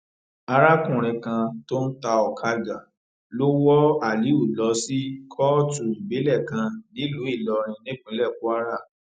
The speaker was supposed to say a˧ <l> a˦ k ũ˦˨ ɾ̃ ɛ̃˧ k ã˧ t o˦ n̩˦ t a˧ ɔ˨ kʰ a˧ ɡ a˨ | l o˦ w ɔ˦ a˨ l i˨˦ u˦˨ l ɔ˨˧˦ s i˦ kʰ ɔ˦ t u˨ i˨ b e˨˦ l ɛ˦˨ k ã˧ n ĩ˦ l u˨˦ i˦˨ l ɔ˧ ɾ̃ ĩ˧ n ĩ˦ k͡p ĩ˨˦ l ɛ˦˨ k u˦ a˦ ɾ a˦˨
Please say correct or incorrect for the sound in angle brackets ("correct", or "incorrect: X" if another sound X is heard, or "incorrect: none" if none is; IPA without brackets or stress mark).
incorrect: ɾ